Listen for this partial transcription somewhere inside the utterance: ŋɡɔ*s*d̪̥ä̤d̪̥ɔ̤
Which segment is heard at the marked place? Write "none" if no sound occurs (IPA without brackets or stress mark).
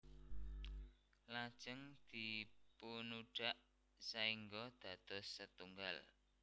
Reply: none